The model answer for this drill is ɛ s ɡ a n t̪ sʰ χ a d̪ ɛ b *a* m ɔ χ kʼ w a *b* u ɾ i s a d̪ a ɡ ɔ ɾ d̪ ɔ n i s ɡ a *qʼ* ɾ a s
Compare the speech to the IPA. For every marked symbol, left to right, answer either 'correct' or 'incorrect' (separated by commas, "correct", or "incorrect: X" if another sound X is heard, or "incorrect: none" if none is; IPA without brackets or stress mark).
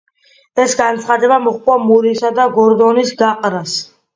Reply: correct, incorrect: m, correct